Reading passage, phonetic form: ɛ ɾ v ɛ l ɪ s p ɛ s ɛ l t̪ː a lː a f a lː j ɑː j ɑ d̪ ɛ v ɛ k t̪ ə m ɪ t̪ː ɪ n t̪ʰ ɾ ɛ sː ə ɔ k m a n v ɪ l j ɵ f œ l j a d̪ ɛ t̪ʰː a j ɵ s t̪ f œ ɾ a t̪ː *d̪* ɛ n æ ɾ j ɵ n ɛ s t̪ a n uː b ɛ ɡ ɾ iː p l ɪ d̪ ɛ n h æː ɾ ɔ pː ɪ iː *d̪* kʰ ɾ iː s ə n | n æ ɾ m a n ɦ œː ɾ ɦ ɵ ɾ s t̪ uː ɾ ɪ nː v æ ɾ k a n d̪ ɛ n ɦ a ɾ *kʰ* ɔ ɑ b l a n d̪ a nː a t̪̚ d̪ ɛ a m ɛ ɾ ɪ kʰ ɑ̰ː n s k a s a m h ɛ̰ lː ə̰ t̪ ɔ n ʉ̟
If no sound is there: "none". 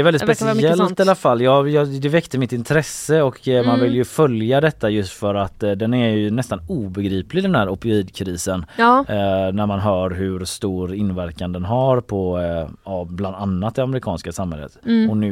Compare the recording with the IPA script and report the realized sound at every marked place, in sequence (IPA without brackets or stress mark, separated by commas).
d̪, d̪, pʰ